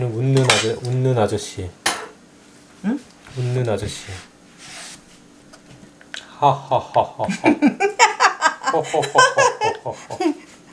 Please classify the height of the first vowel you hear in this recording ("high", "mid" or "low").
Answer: high